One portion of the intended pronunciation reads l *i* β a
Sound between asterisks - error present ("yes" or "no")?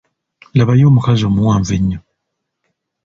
yes